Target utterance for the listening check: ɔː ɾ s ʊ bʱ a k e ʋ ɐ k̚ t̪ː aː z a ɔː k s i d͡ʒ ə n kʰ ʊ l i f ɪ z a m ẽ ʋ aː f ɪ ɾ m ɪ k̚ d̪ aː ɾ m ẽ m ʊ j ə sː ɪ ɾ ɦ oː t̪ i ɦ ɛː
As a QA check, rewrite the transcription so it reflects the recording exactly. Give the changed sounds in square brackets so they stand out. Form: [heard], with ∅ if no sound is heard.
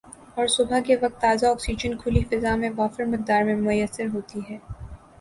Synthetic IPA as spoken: ɔː ɾ s ʊ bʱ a k e ʋ ɐ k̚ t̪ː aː z a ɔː k s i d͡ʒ ə n kʰ ʊ l i f ɪ z a m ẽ ʋ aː f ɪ ɾ m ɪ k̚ d̪ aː ɾ m ẽ m ʊ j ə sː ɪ ɾ ɦ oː t̪ i ɦ ɛː

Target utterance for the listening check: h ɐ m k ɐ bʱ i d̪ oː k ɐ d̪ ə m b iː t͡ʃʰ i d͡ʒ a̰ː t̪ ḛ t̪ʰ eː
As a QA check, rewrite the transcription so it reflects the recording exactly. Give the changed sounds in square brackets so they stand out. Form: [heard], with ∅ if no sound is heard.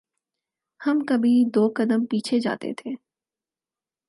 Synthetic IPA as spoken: h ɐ m k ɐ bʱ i d̪ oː k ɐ d̪ ə m [p] iː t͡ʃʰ [e] d͡ʒ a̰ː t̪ ḛ t̪ʰ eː

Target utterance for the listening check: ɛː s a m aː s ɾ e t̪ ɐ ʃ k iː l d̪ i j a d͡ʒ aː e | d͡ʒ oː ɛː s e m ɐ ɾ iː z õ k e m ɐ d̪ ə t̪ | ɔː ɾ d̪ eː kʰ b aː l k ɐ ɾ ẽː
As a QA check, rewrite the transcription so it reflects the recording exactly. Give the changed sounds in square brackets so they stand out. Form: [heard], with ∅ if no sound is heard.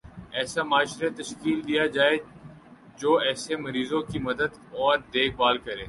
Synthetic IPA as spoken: ɛː s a m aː [ʃ] ɾ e t̪ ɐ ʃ k iː l d̪ i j a d͡ʒ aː e | d͡ʒ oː ɛː s e m ɐ ɾ iː z õ k [i] m ɐ d̪ ə [d̪] | ɔː ɾ d̪ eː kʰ b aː l k ɐ ɾ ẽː

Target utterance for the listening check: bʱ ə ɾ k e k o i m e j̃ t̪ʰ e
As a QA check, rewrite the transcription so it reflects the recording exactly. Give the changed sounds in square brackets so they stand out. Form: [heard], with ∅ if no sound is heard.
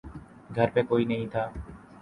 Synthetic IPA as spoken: [ɡʱ] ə ɾ [p] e k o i [n] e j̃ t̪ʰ [a]

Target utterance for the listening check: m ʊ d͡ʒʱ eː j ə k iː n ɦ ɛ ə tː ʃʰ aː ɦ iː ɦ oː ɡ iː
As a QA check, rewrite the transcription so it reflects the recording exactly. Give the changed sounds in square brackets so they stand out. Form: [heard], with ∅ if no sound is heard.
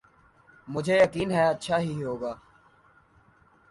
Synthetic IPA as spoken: m ʊ d͡ʒʱ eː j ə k iː n ɦ ɛ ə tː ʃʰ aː ɦ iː ɦ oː ɡ [aː]

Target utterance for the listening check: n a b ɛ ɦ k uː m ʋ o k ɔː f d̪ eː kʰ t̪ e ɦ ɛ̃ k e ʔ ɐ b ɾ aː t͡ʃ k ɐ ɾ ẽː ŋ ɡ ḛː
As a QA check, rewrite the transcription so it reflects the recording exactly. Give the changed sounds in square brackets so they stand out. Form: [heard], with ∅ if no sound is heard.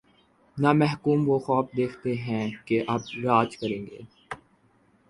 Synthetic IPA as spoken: n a [m] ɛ ɦ k uː m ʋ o [x] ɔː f d̪ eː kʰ t̪ e ɦ ɛ̃ k e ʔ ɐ b ɾ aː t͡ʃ k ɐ ɾ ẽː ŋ ɡ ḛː

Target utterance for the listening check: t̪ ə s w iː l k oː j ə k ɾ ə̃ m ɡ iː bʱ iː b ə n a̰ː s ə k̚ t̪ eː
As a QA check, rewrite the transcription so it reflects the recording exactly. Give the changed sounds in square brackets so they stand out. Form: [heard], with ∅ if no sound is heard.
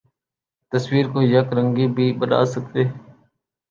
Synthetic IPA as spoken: t̪ ə s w iː [ɾ] k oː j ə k ɾ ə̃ [ŋ] ɡ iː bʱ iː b ə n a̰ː s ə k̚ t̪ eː

